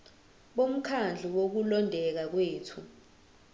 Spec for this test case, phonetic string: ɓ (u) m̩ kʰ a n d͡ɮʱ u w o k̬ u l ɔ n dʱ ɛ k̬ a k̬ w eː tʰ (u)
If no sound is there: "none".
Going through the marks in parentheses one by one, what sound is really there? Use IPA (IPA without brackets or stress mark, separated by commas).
o, u